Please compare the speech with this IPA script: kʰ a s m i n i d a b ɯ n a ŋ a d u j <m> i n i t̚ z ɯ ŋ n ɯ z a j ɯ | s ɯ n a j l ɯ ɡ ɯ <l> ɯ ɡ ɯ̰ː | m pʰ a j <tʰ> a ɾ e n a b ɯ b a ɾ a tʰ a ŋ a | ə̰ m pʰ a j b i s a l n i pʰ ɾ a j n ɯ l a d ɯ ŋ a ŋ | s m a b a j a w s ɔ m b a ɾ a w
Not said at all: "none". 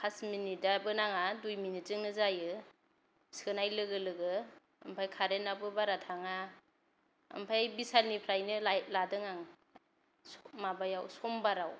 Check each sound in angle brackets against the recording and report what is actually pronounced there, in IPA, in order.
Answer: m, l, kʰ

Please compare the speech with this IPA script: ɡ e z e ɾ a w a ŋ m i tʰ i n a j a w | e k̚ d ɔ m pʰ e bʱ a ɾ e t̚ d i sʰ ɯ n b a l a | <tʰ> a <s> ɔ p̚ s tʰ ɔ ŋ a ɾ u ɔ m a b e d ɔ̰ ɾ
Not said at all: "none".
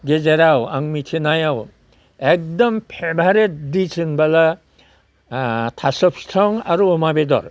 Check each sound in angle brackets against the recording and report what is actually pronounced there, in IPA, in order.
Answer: tʰ, s

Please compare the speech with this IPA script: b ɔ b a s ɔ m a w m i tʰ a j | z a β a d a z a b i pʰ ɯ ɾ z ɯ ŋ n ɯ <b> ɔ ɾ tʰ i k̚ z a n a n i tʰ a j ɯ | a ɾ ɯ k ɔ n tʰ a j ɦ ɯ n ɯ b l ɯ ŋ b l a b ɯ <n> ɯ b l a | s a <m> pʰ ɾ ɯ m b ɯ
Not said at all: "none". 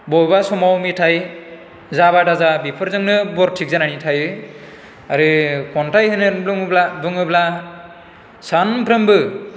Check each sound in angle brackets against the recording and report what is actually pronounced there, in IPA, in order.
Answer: b, ŋ, n

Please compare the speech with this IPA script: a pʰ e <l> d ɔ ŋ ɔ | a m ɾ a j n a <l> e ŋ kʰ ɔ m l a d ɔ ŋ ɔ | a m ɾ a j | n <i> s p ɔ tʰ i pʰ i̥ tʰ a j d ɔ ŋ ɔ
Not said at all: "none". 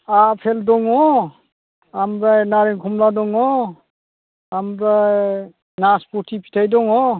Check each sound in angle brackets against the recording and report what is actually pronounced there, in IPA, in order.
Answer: l, ɾ, a

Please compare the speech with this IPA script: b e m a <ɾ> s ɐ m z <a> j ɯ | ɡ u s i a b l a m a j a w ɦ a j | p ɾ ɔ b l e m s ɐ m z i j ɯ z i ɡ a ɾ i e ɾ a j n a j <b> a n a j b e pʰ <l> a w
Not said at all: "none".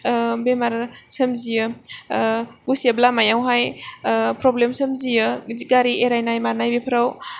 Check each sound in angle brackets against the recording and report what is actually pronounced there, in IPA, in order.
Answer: ɾ, i, m, ɾ

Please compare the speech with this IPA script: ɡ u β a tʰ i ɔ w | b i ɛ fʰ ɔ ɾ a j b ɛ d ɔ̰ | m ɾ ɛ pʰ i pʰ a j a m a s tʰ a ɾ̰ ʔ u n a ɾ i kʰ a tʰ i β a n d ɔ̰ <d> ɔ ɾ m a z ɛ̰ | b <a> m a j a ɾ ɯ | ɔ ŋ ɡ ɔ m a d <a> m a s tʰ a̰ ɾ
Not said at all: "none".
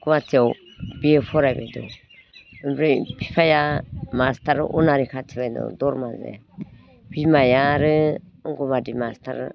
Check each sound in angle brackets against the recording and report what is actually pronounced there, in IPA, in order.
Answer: d, i, i

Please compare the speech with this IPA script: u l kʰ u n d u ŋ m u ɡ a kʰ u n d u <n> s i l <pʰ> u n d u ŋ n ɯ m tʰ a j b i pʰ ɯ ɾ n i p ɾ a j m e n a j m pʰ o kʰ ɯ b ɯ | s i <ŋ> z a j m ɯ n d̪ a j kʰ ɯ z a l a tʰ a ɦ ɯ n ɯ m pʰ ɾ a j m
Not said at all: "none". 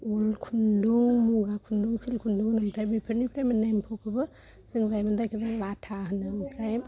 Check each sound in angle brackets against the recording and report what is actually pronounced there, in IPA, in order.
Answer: ŋ, kʰ, ŋ

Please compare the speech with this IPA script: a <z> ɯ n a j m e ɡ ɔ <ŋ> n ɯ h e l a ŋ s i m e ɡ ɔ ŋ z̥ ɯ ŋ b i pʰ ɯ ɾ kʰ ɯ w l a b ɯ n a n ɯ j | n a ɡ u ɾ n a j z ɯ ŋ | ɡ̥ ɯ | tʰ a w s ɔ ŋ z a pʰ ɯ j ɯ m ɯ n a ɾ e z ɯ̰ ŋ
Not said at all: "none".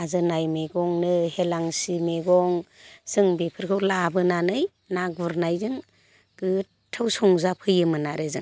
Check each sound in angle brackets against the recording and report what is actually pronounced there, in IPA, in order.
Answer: z, ŋ

